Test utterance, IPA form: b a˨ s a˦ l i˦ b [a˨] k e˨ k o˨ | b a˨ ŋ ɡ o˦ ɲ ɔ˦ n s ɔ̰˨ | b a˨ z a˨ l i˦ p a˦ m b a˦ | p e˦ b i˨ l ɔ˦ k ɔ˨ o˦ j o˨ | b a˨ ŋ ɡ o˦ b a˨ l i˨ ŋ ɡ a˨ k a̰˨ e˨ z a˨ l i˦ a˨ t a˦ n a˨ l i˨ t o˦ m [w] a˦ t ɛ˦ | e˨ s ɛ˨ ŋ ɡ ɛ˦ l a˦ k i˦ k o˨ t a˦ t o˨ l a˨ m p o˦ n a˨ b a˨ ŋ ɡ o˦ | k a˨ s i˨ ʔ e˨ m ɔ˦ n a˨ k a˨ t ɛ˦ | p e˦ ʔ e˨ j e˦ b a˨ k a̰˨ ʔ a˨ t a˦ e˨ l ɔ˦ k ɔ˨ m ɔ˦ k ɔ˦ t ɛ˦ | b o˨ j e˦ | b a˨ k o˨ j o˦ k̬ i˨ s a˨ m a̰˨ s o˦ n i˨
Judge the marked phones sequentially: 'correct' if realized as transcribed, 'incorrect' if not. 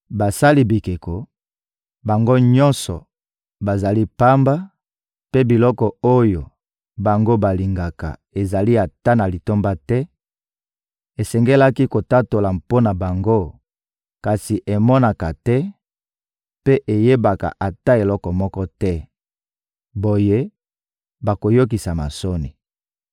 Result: incorrect, incorrect

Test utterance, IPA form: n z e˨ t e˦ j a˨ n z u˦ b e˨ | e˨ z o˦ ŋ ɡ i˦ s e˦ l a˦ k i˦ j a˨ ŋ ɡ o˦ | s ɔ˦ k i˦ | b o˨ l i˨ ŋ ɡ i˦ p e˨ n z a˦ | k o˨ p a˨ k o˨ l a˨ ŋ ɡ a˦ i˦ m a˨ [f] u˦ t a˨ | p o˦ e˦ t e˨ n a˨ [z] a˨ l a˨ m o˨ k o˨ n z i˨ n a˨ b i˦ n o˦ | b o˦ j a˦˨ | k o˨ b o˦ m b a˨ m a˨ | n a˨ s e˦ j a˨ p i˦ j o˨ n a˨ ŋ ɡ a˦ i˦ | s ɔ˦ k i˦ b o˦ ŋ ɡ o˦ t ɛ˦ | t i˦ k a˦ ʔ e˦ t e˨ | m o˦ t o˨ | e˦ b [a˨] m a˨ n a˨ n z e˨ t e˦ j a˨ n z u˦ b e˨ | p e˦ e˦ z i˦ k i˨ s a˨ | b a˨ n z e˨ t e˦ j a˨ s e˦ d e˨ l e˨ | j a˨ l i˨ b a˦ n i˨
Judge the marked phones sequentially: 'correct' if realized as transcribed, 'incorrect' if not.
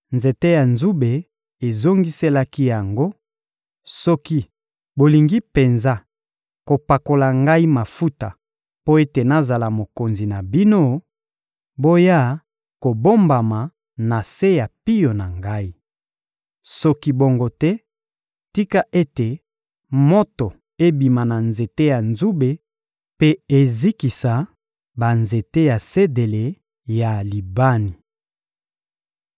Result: correct, correct, incorrect

